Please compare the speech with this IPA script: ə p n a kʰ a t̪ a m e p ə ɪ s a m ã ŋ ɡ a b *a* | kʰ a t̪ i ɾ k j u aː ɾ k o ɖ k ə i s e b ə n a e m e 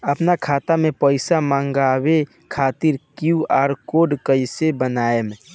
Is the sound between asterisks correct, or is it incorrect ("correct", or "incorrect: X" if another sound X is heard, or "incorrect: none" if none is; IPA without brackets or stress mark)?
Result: incorrect: e